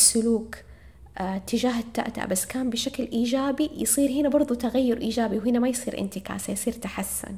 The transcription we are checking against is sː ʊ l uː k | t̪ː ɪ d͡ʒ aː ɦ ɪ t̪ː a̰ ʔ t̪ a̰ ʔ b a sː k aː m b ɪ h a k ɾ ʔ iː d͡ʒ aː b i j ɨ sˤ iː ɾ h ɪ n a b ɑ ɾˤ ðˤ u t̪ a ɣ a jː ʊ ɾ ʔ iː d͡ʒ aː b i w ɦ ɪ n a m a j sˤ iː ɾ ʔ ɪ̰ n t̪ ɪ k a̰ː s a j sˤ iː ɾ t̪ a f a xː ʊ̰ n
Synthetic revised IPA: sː ʊ l uː k | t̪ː ɪ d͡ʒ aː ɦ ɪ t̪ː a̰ ʔ t̪ a̰ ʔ b a sː k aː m b ɪ ʃ a k l ʔ iː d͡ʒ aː b i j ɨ sˤ iː ɾ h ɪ n a b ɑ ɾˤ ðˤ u t̪ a ɣ a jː ʊ ɾ ʔ iː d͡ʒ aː b i w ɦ ɪ n a m a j sˤ iː ɾ ʔ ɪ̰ n t̪ ɪ k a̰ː s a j sˤ iː ɾ t̪ a ħ a sː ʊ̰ n